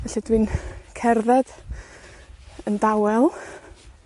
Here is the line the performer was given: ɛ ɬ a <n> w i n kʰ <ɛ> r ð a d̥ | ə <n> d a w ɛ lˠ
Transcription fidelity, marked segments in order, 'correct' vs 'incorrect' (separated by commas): incorrect, correct, correct